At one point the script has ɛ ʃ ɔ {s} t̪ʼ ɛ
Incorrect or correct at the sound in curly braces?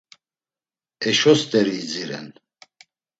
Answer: correct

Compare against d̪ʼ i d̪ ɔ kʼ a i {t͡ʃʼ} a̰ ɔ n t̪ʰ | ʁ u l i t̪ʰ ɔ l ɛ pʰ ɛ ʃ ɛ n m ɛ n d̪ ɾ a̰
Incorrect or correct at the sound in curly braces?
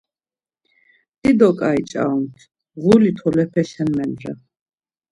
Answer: correct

